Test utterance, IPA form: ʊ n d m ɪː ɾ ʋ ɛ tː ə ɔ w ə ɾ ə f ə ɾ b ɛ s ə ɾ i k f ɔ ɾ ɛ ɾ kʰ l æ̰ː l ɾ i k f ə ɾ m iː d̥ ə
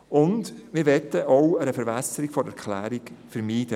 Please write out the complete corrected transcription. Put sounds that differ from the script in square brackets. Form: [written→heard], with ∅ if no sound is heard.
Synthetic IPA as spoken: ʊ n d m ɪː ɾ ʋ ɛ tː ə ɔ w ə ɾ ə f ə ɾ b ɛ s ə ɾ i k f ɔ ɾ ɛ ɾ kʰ l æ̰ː [l→∅] ɾ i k f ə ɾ m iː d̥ ə